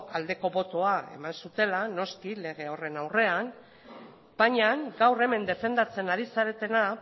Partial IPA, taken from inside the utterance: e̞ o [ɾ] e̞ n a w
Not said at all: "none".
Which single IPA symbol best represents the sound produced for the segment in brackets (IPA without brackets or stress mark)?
r